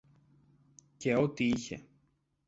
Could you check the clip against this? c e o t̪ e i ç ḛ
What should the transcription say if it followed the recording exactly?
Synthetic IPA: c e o t̪ i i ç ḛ